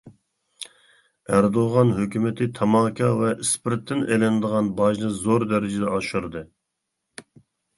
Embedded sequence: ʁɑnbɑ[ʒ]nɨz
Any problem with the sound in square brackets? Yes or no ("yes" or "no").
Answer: no